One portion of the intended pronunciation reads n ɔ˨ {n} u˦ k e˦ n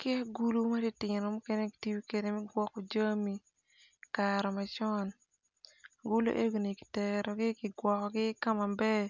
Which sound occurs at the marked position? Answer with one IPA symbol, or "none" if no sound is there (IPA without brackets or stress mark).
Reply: m